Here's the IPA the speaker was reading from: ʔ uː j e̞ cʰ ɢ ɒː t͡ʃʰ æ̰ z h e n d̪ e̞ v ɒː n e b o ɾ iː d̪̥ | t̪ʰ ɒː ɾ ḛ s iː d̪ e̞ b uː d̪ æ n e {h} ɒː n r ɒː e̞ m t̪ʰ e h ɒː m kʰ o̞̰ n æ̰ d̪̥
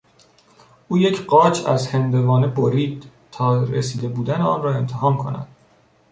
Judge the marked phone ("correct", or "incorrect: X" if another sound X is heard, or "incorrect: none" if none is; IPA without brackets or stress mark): incorrect: none